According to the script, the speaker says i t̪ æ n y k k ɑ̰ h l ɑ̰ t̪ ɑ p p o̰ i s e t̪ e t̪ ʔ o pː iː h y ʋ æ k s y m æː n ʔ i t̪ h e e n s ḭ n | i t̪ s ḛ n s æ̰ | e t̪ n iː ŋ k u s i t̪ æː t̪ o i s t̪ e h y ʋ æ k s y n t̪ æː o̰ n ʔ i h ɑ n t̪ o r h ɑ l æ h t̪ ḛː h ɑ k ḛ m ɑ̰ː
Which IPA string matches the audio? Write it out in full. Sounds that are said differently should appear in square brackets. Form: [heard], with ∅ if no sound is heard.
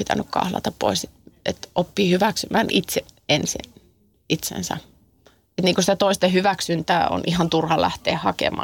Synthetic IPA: i t̪ æ n y k k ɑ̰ h l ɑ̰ t̪ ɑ p p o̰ i s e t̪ e t̪ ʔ o pː iː h y ʋ æ k s y m æː n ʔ i t̪ [s] e e n s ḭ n | i t̪ s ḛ n s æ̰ | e t̪ n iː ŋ k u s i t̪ [æ] t̪ o i s t̪ e h y ʋ æ k s y n t̪ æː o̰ n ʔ i h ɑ n t̪ [u] r h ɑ l æ h t̪ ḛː h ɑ k ḛ m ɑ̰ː